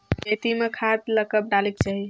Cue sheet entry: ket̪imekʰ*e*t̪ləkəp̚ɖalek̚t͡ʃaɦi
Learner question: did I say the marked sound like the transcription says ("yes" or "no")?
no